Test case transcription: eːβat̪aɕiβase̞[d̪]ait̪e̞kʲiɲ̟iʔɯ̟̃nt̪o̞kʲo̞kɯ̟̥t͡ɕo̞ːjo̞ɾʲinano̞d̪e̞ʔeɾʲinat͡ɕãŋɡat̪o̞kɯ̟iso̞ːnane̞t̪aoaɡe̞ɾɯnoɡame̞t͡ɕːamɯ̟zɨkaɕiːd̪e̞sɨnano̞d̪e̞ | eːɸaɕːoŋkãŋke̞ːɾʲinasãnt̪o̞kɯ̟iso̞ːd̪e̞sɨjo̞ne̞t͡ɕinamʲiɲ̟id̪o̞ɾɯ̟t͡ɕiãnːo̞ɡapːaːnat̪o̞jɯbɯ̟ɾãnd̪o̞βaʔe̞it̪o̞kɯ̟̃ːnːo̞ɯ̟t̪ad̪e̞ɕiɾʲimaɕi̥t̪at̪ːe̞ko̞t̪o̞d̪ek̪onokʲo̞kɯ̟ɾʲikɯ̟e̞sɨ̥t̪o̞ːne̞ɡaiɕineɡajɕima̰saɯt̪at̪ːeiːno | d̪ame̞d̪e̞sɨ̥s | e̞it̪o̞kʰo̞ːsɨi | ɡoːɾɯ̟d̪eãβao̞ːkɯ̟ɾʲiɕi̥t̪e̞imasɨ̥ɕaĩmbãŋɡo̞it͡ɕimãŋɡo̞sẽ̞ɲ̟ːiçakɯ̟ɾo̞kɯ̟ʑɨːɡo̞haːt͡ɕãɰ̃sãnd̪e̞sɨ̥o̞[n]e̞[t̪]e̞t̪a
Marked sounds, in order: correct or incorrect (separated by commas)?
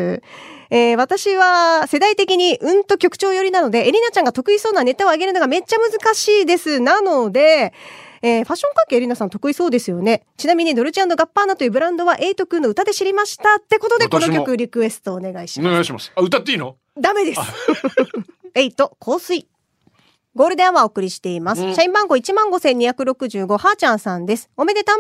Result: correct, incorrect, incorrect